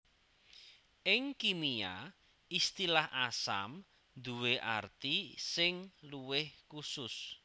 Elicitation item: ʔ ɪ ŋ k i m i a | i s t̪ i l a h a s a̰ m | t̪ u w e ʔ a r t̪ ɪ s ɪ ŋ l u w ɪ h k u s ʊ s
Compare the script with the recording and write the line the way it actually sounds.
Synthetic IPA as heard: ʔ ɪ ŋ k i m i a | i s t̪ i l a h a s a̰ m | d̪ u w e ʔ a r t̪ i s ɪ ŋ l u w ɪ h k u s ʊ s